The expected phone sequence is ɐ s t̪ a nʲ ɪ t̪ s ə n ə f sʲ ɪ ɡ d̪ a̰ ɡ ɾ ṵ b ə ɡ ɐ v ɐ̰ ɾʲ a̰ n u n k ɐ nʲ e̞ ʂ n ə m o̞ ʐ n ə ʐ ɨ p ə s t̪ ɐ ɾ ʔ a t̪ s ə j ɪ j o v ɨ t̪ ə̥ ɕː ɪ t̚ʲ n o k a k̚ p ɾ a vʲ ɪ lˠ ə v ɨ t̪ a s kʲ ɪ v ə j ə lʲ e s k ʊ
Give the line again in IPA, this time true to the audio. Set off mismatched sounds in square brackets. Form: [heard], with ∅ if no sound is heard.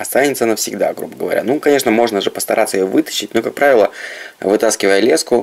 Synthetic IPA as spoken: ɐ s t̪ a nʲ ɪ t̪ s ə n ə f sʲ ɪ ɡ d̪ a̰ ɡ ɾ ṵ b ə ɡ [ə] v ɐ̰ ɾʲ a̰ n u [∅] k ɐ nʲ e̞ ʂ n ə m o̞ ʐ n ə ʐ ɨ p ə s t̪ ɐ ɾ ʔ a t̪ s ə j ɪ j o v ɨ t̪ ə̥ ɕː ɪ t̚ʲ n o k a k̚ p ɾ a vʲ ɪ lˠ ə v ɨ t̪ a s kʲ ɪ v ə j ə lʲ e s k ʊ